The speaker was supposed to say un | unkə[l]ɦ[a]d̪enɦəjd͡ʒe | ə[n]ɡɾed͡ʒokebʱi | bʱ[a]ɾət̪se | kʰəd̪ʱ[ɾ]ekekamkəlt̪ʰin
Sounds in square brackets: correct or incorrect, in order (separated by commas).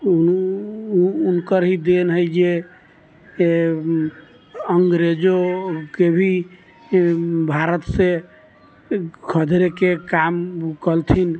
incorrect, incorrect, incorrect, correct, correct